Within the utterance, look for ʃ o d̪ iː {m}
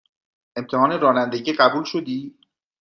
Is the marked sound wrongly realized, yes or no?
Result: yes